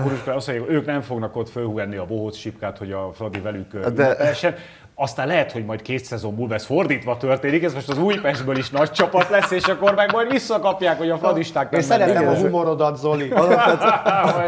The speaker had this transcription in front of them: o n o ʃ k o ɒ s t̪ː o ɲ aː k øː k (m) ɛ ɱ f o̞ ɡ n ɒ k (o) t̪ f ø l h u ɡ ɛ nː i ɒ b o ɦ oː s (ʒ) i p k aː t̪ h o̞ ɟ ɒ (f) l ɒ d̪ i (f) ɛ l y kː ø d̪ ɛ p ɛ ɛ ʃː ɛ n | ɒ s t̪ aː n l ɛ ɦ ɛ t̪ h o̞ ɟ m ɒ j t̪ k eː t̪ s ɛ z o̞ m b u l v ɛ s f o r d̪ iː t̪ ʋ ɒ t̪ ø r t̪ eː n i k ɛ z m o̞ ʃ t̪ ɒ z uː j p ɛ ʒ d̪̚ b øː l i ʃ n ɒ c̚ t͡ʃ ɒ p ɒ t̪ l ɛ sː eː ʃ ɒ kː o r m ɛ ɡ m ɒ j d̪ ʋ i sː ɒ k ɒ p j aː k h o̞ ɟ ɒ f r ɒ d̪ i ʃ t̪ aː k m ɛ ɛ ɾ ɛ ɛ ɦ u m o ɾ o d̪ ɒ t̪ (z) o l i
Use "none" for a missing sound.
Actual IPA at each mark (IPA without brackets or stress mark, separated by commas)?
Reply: n, o, ʃ, f, v, z